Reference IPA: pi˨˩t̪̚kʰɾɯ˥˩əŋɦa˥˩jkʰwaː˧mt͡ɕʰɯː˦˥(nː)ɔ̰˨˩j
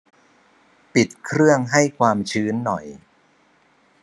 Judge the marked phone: correct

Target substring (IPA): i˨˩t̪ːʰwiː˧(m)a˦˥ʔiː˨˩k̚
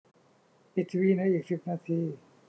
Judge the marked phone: incorrect: n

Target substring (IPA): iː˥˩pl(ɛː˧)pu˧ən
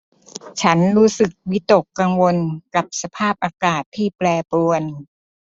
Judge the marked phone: correct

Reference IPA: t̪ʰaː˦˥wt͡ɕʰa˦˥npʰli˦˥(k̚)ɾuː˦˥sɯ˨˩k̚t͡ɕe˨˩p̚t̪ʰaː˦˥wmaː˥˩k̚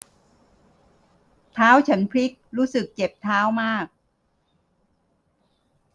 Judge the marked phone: correct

